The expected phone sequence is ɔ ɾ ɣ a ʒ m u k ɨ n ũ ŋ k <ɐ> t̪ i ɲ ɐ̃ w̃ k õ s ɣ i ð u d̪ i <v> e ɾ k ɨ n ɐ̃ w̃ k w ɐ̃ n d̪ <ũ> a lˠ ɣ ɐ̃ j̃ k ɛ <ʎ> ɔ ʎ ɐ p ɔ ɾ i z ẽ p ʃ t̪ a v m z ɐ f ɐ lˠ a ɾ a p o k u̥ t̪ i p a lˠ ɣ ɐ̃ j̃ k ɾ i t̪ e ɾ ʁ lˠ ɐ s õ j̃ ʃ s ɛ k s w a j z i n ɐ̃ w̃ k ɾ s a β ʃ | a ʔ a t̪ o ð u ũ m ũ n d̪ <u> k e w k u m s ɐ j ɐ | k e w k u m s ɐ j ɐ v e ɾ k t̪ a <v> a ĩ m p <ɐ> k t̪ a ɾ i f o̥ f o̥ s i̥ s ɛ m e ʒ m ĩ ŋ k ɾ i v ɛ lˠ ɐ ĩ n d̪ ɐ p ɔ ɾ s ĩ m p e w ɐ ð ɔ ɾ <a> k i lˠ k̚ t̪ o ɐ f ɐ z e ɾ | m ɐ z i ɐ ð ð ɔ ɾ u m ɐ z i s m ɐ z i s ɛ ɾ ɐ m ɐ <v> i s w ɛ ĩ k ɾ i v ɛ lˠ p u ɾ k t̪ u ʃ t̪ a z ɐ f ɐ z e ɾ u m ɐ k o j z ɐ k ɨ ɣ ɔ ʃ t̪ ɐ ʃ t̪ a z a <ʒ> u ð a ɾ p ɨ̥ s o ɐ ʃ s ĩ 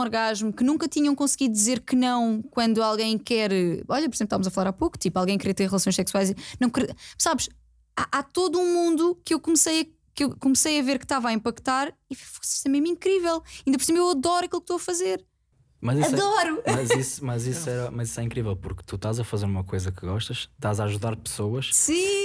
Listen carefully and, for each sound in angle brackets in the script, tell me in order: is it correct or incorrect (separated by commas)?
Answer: correct, incorrect, incorrect, incorrect, correct, correct, correct, incorrect, incorrect, correct